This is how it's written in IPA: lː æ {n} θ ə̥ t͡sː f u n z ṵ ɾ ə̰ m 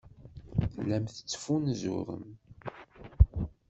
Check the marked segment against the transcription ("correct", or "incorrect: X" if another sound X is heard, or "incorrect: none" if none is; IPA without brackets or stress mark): incorrect: m